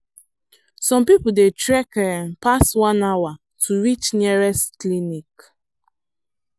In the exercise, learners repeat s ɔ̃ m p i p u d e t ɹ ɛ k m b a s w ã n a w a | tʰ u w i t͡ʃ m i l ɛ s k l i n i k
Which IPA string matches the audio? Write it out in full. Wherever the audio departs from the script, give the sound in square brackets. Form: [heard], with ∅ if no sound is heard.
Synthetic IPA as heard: s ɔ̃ m p i p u d e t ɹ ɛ k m [p] a s w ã n a w a | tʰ u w i t͡ʃ [n] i [ɹ] ɛ s k l i n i k